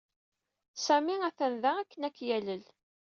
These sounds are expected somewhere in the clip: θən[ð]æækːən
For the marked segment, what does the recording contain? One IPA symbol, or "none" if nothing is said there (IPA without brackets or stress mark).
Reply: ð